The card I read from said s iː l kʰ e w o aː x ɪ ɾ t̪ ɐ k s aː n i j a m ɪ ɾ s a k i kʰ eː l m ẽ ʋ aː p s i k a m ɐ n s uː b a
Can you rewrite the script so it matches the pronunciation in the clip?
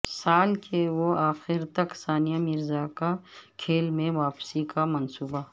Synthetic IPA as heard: s aː l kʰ e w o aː x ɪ ɾ t̪ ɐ k s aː n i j a m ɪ ɾ z a k a kʰ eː l m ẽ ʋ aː p s i k a m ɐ n s uː b a